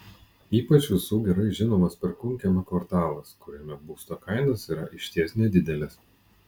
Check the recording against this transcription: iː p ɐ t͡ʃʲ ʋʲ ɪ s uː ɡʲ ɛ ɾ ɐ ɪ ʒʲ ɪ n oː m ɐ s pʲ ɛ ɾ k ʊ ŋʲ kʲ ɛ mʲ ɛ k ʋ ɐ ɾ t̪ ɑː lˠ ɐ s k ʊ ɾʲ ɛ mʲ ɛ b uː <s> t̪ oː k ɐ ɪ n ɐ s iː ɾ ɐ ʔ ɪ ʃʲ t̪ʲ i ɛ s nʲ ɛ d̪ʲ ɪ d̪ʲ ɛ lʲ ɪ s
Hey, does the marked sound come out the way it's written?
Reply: yes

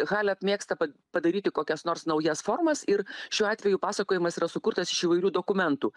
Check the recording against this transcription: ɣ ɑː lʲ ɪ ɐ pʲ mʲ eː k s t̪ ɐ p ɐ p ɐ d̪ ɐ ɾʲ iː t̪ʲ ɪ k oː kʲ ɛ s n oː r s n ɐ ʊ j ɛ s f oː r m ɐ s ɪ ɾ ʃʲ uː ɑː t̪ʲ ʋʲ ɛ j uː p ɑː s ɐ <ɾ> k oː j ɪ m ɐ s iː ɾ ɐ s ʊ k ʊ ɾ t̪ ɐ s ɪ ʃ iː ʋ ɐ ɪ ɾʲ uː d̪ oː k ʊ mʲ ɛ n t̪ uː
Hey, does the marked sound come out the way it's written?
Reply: no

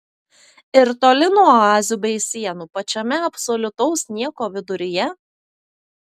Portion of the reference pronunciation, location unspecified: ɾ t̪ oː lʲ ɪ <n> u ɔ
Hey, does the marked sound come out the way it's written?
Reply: yes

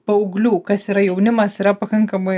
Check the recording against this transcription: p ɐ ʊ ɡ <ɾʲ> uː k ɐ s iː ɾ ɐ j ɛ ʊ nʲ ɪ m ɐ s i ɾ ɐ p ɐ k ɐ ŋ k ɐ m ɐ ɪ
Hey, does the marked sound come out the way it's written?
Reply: no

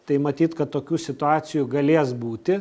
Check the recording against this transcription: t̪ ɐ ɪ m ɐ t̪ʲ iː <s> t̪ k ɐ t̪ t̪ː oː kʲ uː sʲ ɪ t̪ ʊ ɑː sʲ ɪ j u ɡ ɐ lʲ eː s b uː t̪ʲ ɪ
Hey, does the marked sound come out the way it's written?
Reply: no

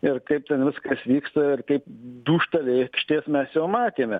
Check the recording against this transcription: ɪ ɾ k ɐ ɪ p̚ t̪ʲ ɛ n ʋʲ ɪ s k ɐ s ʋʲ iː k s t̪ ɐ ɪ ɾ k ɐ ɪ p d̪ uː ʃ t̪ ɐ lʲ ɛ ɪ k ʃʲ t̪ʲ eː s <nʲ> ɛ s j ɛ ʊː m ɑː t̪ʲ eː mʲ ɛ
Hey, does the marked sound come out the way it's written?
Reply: no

